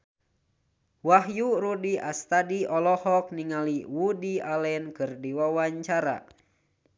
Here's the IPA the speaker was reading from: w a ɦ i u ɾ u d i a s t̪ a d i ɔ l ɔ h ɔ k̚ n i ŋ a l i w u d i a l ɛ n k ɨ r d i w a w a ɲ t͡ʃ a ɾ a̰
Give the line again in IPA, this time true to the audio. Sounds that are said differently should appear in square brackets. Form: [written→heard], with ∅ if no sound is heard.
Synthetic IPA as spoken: w a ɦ [i→j] u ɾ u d i a s t̪ a d i ɔ l ɔ h ɔ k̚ n i ŋ a l i w u d i a l ɛ n k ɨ r d i w a w a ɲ t͡ʃ a ɾ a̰